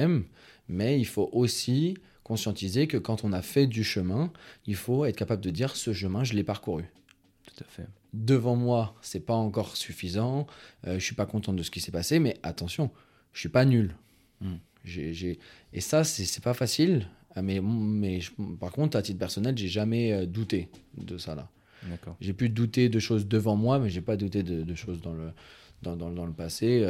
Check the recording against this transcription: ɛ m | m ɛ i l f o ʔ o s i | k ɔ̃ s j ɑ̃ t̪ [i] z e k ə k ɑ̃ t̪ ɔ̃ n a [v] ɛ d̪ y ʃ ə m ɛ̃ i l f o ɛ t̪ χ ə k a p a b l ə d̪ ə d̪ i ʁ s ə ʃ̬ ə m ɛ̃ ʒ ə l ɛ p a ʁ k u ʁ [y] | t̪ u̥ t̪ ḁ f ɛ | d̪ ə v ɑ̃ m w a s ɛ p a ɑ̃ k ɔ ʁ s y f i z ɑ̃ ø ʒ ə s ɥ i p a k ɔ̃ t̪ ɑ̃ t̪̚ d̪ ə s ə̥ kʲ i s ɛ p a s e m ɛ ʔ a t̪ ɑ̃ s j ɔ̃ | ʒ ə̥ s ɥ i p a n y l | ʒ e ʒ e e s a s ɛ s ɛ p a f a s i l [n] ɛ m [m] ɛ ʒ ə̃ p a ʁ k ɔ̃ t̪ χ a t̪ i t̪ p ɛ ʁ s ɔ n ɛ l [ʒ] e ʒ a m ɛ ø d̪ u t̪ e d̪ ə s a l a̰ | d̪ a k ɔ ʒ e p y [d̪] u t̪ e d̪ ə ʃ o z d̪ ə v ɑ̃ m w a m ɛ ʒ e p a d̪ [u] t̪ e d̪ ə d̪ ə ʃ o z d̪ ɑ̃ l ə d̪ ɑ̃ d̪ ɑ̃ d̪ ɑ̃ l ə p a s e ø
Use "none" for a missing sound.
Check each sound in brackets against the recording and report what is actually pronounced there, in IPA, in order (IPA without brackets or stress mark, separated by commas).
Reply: i, f, y, m, m, ʒ, d̪, u